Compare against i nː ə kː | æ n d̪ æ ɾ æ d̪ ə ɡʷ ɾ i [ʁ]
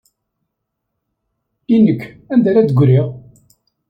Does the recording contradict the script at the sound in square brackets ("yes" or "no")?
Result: no